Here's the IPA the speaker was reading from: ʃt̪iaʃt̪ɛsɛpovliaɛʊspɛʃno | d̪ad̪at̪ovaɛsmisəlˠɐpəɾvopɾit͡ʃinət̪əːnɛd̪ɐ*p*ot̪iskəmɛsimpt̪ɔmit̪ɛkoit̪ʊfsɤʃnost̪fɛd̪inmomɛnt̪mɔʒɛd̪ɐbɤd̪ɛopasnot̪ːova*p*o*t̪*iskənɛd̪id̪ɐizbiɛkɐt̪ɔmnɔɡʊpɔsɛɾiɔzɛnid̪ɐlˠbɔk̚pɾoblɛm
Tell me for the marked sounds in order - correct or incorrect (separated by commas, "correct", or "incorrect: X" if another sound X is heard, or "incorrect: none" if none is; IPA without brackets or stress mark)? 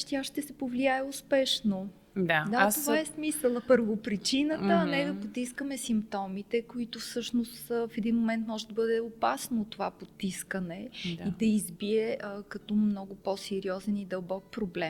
correct, correct, correct